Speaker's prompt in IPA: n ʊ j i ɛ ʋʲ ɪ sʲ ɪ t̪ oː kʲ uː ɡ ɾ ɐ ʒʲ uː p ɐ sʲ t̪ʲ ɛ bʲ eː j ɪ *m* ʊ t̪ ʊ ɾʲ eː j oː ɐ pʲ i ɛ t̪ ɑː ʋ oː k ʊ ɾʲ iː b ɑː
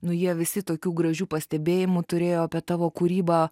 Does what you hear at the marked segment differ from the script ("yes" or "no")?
no